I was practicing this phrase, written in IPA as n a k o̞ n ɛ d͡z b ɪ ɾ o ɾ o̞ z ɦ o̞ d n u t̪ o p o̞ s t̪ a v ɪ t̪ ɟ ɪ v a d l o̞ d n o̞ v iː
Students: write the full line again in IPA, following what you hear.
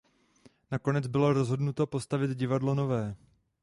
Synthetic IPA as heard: n a k o̞ n ɛ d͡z b ɪ l o ɾ o̞ z ɦ o̞ d n u t̪ o p o̞ s t̪ a v ɪ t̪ ɟ ɪ v a d l o̞ n o̞ v ɛː